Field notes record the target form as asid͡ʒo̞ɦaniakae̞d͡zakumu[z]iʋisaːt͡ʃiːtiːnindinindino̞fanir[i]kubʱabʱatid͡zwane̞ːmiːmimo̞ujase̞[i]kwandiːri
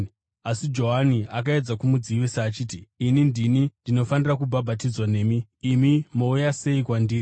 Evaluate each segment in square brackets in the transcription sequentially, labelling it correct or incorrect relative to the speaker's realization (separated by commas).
incorrect, incorrect, correct